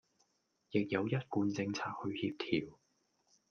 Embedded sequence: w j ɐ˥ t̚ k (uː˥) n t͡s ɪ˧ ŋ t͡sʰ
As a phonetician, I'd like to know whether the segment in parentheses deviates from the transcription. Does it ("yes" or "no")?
yes